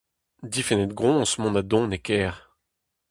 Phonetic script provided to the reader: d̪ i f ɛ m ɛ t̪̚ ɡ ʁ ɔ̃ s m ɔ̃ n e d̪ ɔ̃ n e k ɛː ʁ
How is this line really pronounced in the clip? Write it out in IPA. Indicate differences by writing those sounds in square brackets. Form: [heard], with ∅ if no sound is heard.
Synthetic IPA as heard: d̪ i f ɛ [n] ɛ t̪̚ ɡ ʁ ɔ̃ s m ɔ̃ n [a] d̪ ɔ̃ n e k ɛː ʁ